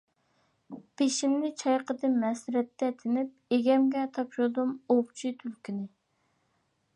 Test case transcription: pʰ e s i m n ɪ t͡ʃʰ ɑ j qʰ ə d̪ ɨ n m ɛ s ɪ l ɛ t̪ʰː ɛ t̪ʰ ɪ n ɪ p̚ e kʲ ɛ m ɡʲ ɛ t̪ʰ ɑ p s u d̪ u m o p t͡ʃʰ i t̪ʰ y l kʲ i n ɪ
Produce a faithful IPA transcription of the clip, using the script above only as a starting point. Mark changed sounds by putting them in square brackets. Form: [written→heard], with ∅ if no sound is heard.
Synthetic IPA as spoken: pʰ e [s→ʃ] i m n ɪ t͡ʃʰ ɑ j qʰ ə d̪ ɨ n m ɛ s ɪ [l→ɾ] ɛ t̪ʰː ɛ t̪ʰ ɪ n ɪ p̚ e [kʲ→ɡʲ] ɛ m ɡʲ ɛ t̪ʰ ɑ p [s→ʃ] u d̪ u m o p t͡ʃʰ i t̪ʰ y l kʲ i n ɪ